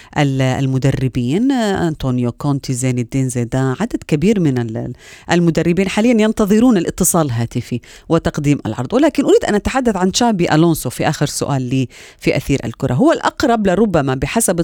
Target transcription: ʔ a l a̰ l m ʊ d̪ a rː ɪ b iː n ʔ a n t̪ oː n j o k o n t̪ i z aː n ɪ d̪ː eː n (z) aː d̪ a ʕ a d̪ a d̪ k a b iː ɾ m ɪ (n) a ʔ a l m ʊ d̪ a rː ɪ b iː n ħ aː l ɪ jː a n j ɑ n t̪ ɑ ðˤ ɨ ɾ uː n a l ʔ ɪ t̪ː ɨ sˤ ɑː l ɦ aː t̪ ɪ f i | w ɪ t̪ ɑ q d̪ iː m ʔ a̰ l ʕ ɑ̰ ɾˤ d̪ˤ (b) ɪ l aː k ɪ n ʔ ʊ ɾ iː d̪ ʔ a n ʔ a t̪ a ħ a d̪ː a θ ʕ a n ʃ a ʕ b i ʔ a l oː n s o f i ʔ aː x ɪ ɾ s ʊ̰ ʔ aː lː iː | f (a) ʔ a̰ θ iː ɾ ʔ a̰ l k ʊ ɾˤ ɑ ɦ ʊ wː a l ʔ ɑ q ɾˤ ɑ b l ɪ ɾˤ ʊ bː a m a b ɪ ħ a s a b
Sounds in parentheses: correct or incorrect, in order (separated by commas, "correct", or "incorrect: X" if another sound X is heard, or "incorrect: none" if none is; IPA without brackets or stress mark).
correct, correct, incorrect: w, incorrect: i